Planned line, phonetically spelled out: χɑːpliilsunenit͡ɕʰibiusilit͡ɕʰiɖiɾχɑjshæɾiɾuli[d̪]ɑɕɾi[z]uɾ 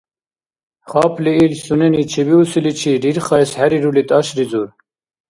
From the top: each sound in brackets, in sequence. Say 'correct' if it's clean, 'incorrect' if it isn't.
incorrect: t̪, correct

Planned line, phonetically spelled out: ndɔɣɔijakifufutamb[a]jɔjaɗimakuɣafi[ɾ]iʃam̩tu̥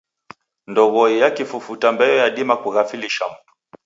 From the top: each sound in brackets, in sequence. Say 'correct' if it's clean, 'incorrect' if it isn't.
incorrect: ɛ, incorrect: l

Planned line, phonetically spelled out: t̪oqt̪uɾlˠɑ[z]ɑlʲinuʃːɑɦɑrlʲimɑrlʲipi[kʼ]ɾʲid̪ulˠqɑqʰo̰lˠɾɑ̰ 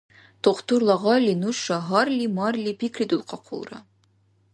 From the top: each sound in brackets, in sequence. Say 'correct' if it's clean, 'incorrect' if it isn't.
incorrect: ʁ, incorrect: k

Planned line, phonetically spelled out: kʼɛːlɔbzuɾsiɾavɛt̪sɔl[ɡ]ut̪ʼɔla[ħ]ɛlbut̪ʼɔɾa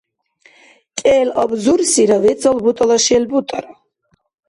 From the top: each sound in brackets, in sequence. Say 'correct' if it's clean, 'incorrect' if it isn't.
incorrect: b, incorrect: ʃ

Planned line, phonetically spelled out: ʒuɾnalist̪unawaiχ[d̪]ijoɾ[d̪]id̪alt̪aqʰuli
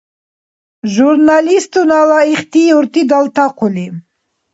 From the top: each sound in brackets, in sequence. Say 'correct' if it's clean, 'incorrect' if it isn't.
incorrect: t̪, incorrect: t̪

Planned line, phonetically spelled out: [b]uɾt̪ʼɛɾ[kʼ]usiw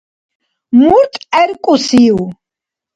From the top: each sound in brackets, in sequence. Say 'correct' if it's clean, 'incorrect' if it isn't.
incorrect: m, correct

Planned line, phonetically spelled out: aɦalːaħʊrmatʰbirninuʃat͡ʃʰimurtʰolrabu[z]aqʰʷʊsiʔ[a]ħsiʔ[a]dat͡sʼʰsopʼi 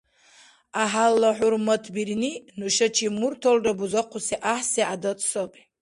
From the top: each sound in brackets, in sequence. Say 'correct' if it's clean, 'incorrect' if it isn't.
correct, correct, correct

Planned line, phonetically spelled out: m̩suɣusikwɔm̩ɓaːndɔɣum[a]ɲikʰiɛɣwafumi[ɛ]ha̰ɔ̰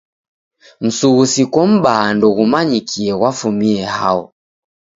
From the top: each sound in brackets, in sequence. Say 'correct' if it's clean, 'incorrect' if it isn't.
correct, correct

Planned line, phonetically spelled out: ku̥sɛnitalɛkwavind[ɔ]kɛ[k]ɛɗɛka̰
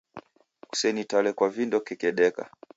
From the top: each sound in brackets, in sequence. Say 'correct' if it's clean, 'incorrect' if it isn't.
correct, correct

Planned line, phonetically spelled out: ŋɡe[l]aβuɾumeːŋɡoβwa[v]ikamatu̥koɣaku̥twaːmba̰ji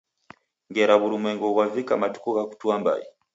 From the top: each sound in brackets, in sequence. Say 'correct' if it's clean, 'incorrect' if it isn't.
incorrect: ɾ, correct

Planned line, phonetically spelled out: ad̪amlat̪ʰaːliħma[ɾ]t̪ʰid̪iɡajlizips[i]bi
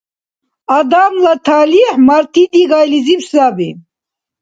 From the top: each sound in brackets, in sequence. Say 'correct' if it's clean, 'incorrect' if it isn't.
correct, incorrect: a

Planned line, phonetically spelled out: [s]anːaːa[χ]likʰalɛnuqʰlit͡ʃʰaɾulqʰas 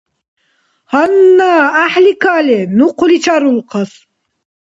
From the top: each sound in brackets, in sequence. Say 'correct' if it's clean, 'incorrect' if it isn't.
incorrect: h, incorrect: ħ

